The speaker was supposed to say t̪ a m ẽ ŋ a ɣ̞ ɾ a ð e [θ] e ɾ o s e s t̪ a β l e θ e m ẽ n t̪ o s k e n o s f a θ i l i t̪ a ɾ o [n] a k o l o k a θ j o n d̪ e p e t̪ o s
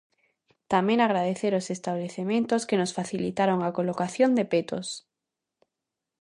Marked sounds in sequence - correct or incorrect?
correct, incorrect: ŋ

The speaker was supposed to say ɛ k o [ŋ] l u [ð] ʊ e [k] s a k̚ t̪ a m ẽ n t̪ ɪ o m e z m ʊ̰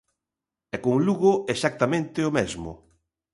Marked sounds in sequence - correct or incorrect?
correct, incorrect: ɣ, incorrect: none

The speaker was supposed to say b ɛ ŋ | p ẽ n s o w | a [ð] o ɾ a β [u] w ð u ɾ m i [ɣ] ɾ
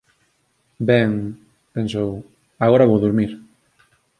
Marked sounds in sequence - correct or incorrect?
incorrect: ɣ, incorrect: o, incorrect: none

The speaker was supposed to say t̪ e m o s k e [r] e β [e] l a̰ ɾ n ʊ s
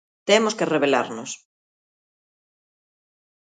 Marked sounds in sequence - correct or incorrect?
correct, correct

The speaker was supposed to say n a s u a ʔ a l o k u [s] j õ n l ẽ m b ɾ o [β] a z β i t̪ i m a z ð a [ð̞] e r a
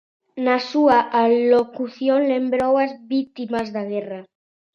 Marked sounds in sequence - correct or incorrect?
incorrect: θ, incorrect: w, incorrect: ɣ̞

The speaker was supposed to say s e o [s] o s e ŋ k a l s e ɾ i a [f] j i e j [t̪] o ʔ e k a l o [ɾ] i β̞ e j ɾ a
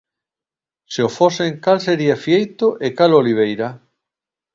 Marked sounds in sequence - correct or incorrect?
incorrect: f, correct, correct, incorrect: l

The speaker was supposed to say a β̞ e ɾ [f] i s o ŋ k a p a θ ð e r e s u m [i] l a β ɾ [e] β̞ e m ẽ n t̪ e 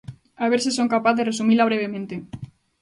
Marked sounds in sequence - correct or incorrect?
incorrect: s, correct, correct

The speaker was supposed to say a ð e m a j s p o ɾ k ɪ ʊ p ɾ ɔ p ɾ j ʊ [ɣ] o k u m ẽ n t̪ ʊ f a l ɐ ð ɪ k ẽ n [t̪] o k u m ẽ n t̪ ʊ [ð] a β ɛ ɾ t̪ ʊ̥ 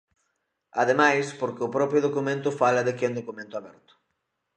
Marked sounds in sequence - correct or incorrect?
incorrect: ð, incorrect: d̪, incorrect: none

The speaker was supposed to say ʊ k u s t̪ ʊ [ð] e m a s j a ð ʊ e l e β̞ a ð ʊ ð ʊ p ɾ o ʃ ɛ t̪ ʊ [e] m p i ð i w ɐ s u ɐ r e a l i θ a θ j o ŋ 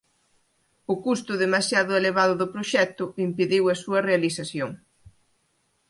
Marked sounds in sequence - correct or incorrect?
correct, incorrect: i

